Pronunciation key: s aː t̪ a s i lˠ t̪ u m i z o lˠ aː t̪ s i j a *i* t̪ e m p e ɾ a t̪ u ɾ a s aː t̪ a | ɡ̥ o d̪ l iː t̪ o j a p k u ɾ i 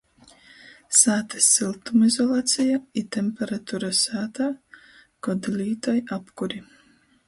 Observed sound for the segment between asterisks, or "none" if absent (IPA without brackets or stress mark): i